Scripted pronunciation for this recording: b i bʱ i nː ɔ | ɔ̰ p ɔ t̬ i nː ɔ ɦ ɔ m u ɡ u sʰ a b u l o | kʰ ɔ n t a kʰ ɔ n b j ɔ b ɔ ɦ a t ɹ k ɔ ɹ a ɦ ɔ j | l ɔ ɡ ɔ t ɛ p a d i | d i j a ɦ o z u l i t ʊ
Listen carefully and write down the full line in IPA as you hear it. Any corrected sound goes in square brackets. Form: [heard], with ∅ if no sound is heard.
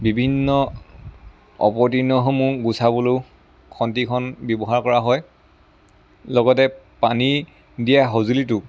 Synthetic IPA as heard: b i bʱ i nː ɔ | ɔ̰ p ɔ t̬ i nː ɔ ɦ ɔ m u ɡ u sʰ a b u l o | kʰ ɔ n t [i] kʰ ɔ n b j ɔ b ɔ ɦ a [∅] ɹ k ɔ ɹ a ɦ ɔ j | l ɔ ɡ ɔ t ɛ p a [n] i | d i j a ɦ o z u l i t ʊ